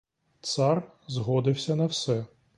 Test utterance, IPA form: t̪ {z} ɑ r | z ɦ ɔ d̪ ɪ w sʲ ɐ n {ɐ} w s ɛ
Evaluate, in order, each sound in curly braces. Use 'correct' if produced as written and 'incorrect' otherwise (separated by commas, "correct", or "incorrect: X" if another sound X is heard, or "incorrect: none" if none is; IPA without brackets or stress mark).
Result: incorrect: s, correct